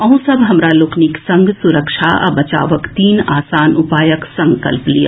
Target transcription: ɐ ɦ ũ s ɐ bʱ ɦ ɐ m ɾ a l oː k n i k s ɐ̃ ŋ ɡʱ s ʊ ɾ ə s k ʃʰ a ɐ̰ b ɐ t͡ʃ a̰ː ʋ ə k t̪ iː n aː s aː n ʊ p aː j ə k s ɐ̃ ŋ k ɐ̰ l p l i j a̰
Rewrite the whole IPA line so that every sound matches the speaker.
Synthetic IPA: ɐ ɦ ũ s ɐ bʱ ɦ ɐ m ɾ a l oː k n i k s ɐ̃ ŋ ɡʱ s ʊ ɾ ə k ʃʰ a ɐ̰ b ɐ t͡ʃ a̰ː ʋ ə k t̪ iː n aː s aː n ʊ p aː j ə k s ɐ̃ ŋ k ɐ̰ l p l i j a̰